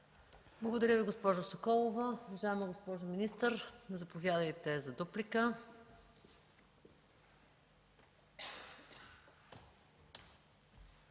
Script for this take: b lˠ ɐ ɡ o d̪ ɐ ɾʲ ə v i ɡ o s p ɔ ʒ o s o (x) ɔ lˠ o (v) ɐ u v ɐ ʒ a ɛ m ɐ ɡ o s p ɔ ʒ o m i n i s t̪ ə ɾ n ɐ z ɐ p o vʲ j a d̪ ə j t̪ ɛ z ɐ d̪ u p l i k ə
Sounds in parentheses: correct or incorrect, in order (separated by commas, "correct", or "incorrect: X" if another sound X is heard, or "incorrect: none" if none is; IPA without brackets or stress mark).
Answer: incorrect: k, correct